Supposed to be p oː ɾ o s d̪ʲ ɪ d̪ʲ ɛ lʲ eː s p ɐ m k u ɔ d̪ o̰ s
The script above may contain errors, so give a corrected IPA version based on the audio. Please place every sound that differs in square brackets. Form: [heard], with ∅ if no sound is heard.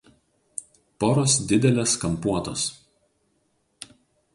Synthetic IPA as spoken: p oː ɾ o s d̪ʲ ɪ d̪ʲ ɛ lʲ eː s [k] ɐ m [p] u ɔ [t̪] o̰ s